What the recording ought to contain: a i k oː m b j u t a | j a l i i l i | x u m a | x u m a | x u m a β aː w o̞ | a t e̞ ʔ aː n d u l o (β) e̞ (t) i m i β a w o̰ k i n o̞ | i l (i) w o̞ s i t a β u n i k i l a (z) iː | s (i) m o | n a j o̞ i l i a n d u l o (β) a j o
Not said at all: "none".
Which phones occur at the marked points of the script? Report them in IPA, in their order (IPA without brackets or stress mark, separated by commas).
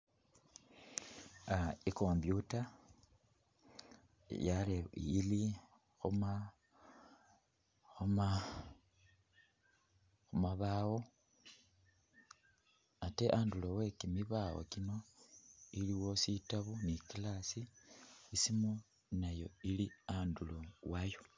w, k, i, s, i, w